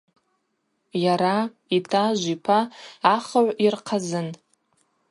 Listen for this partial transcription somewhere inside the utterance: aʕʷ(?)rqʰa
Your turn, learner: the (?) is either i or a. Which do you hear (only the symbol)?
i